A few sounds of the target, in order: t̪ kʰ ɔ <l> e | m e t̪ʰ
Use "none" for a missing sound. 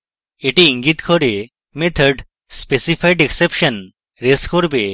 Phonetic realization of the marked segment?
ɾ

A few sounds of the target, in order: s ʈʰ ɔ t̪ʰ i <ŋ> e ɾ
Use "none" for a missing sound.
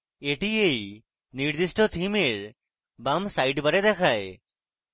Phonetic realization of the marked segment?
m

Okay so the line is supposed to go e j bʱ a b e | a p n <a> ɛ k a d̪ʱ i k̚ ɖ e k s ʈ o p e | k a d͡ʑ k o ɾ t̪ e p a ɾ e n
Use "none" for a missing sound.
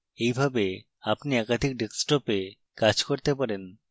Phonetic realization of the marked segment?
i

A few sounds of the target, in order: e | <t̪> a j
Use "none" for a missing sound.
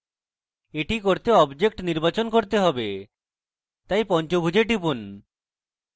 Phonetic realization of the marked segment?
t̪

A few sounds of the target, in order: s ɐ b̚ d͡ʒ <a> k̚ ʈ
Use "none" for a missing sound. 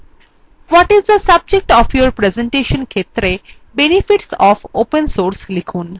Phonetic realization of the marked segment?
e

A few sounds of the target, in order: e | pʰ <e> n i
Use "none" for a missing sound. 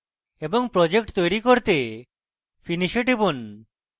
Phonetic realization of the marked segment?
i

